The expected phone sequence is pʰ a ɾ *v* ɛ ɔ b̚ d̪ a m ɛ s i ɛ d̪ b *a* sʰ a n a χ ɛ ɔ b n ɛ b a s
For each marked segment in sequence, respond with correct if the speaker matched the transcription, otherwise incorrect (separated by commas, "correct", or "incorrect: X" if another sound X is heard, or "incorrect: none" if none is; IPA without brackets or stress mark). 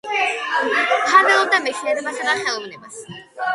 correct, correct